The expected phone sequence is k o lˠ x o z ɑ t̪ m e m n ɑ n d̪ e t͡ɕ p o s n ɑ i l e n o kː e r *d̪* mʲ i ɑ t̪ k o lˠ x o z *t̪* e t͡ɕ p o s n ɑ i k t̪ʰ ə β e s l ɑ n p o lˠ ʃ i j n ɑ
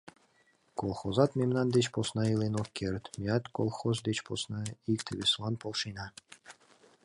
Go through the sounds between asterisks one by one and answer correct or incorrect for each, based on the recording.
incorrect: t̪, incorrect: d̪

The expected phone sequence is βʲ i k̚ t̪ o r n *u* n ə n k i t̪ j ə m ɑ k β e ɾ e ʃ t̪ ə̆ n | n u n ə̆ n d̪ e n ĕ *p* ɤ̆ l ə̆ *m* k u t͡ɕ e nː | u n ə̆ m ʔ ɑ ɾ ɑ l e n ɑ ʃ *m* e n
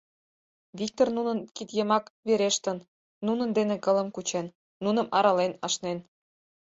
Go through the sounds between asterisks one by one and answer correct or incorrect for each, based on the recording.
correct, incorrect: k, correct, incorrect: n

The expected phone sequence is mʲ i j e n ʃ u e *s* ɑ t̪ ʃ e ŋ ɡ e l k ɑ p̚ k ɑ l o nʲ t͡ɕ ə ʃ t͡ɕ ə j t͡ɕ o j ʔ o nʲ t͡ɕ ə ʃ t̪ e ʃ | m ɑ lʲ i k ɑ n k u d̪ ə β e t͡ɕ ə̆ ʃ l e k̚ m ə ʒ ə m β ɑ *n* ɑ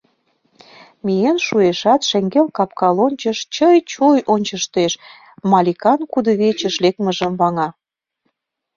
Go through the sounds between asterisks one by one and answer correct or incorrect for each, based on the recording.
incorrect: ʃ, incorrect: ŋ

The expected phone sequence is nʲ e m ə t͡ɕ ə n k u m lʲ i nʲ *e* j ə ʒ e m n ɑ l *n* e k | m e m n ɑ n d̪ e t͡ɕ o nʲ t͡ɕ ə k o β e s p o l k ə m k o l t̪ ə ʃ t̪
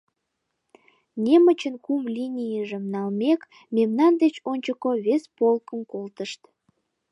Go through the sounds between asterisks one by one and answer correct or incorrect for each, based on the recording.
incorrect: i, incorrect: m

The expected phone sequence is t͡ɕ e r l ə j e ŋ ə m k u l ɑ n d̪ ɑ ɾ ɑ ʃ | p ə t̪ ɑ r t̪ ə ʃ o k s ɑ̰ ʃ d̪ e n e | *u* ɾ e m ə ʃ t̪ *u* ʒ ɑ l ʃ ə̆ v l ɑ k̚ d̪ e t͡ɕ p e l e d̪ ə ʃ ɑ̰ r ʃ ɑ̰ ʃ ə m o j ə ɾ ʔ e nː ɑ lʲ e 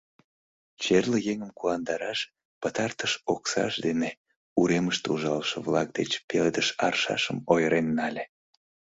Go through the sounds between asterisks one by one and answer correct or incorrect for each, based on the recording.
correct, correct

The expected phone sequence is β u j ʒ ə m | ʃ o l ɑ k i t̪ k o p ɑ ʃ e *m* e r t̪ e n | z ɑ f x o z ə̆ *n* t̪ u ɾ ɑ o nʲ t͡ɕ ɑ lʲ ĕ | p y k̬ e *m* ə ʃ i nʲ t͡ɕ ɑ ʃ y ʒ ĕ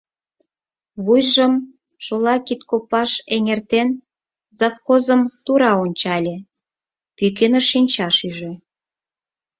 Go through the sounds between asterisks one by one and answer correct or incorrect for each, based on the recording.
incorrect: ŋ, incorrect: m, incorrect: n

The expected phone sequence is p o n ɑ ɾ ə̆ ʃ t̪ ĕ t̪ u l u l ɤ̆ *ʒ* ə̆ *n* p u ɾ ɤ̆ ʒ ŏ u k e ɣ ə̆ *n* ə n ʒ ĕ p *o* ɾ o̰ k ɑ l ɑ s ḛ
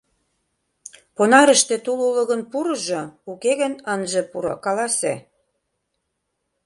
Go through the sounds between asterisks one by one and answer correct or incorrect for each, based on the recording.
incorrect: ɣ, correct, correct, incorrect: u

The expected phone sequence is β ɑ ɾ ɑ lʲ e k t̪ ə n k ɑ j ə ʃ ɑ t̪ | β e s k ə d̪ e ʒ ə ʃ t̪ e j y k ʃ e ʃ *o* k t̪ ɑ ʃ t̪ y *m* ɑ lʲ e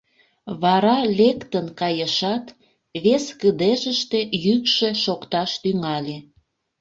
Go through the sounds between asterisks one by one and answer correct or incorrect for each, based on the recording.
correct, incorrect: ŋ

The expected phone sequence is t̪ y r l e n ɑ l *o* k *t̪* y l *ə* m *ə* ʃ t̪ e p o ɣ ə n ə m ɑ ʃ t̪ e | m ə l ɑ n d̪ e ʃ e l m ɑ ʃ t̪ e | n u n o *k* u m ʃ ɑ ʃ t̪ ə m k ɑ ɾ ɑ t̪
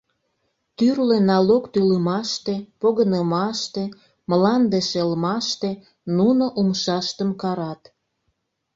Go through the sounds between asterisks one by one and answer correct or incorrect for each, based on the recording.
correct, correct, correct, incorrect: ɑ, incorrect: ʔ

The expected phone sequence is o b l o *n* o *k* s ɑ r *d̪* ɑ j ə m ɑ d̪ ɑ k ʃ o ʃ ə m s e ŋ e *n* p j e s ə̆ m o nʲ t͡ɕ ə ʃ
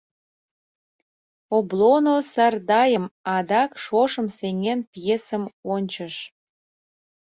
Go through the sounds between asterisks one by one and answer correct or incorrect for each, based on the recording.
correct, incorrect: none, correct, correct

